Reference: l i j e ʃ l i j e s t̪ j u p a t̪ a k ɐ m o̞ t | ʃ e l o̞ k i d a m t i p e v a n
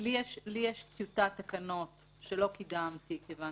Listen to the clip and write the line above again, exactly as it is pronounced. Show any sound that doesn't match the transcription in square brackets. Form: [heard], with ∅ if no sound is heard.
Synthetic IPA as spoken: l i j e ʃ l i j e [ʃ] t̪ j u [t] a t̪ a k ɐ [n] o̞ t | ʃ e l o̞ k i d a m t i [k] e v a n